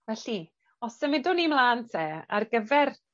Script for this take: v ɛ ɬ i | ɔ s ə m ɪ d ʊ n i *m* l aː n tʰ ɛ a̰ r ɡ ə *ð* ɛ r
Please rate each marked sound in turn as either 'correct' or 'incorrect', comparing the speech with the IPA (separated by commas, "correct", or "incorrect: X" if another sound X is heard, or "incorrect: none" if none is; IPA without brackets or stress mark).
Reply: correct, incorrect: v